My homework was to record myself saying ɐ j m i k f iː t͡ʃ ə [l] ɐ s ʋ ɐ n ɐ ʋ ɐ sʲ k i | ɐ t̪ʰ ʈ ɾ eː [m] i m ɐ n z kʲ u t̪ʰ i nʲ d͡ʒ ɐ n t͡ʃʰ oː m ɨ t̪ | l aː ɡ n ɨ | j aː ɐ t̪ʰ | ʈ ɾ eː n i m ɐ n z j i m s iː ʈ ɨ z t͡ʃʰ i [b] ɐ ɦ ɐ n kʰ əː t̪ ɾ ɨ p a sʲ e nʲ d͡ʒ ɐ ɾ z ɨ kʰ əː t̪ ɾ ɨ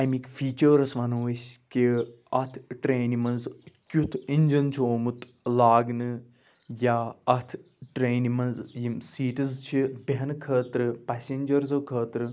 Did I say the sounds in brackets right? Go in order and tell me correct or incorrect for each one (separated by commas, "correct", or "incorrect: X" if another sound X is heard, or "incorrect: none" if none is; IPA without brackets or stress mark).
incorrect: ɾ, incorrect: n, correct